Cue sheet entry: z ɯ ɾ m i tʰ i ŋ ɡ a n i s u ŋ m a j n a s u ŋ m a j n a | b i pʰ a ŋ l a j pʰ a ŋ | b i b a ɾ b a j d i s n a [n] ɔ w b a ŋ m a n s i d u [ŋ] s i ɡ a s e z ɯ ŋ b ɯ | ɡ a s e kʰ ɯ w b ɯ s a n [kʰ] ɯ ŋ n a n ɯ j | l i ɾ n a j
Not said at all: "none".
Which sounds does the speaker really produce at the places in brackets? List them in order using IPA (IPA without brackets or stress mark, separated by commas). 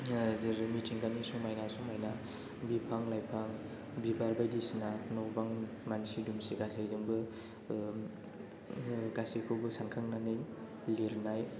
n, m, kʰ